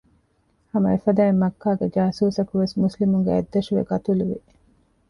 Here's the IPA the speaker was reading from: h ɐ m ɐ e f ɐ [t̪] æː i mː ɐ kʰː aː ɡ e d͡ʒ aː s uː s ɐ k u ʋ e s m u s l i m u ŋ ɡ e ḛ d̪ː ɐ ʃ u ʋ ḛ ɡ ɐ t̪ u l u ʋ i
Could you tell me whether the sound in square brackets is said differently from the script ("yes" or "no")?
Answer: yes